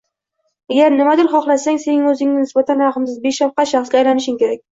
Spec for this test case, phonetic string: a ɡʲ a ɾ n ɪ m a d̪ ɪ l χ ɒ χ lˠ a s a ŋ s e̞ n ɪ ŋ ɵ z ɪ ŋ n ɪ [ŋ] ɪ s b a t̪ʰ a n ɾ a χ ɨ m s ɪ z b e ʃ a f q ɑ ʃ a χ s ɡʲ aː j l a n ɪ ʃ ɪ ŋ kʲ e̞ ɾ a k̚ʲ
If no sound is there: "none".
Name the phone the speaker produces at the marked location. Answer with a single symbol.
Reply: n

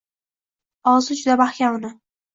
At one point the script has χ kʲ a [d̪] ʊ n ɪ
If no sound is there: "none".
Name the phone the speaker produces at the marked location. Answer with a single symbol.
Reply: none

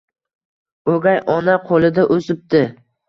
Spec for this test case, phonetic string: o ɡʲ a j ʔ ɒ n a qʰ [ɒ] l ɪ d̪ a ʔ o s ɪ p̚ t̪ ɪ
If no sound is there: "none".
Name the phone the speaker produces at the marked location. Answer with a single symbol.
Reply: o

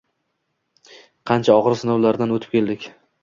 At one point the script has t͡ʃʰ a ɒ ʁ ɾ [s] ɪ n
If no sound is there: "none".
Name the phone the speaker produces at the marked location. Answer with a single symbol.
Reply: s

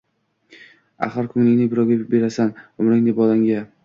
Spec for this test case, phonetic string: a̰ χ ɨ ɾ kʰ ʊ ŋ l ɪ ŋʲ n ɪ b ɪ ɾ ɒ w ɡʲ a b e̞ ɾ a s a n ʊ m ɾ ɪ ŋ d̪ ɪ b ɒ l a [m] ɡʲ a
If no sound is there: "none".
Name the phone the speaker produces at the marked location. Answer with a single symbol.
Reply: ŋ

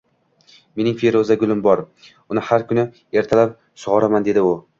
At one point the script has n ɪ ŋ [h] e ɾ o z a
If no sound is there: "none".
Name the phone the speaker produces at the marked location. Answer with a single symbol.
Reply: f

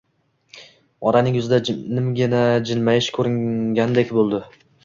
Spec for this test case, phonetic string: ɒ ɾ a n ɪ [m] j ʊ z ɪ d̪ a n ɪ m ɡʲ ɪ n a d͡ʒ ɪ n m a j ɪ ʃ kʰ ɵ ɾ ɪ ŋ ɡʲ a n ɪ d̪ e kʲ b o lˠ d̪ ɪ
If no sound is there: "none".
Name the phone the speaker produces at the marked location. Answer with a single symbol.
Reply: ŋ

